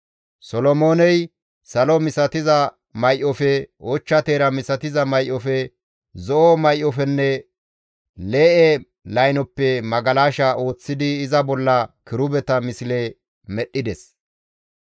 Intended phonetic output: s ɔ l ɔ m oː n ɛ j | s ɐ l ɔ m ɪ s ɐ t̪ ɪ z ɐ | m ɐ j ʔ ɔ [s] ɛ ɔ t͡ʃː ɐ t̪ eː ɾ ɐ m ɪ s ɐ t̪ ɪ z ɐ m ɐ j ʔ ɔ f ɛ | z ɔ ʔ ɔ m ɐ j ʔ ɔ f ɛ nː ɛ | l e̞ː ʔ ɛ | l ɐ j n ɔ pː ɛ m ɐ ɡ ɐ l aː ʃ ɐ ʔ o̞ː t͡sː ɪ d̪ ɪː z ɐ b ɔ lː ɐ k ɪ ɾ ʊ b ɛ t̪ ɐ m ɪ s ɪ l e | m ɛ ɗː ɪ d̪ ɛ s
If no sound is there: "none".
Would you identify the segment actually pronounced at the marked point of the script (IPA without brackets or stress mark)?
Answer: f